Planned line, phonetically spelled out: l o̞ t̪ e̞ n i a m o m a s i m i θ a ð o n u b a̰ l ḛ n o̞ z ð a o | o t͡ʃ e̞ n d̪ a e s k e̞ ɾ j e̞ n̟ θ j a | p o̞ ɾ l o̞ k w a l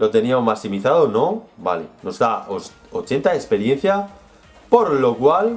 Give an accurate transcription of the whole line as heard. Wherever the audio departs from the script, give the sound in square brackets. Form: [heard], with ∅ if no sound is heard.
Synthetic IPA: l o̞ t̪ e̞ n i a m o m a s i m i θ a ð o n [o] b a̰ l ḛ n o̞ z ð a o | o t͡ʃ e̞ n [t̪] a e s [p] e̞ ɾ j e̞ n̟ θ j a | p o̞ ɾ l o̞ k w a l